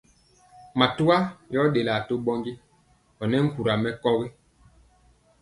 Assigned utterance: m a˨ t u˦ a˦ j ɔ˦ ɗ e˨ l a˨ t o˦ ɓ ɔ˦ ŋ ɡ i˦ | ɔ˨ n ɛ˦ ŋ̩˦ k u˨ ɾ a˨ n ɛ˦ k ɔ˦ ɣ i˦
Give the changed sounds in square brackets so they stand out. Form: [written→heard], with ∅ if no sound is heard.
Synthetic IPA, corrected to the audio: m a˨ t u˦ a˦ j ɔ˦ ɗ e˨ l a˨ t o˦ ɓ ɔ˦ ŋ ɡ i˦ | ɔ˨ n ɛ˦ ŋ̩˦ k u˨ ɾ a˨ [n→m] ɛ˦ k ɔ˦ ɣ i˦